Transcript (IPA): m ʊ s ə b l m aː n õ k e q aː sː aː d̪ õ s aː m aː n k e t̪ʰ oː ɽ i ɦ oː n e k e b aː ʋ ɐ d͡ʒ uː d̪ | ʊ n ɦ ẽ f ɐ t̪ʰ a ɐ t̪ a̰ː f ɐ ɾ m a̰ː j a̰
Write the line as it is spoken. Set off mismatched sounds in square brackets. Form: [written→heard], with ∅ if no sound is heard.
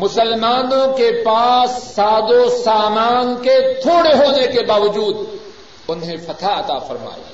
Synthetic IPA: m ʊ s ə [b→∅] l m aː n õ k e [q→p] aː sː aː d̪ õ s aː m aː n k e t̪ʰ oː ɽ [i→e] ɦ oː n e k e b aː ʋ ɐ d͡ʒ uː d̪ | ʊ n ɦ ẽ f ɐ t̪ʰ a ɐ t̪ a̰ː f ɐ ɾ m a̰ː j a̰